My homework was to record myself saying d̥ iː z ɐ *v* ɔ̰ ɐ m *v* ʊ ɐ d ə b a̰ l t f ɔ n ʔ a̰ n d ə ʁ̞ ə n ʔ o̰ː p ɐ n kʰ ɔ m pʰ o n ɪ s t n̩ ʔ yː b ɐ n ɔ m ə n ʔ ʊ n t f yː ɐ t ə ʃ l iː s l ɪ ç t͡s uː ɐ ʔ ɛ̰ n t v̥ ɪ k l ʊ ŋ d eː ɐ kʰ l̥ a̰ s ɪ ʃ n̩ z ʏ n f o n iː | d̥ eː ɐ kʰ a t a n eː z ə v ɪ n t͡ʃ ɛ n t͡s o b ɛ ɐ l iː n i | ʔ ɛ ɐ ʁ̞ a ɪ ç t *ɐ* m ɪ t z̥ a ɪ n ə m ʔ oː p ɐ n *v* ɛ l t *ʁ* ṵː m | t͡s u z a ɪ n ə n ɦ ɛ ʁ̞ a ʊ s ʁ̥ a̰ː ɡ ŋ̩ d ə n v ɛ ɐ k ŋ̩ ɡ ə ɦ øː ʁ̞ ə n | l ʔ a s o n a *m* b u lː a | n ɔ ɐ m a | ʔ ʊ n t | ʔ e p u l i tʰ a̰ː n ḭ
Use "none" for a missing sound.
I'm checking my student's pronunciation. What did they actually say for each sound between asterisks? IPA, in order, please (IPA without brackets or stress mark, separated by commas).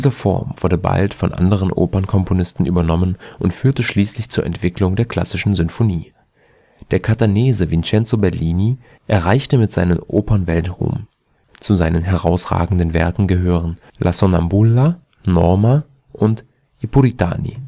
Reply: f, v, ə, v, ʁ, m